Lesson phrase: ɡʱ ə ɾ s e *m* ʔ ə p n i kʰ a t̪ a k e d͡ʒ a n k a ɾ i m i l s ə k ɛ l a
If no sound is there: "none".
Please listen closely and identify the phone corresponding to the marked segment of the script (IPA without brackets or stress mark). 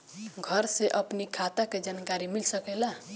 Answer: none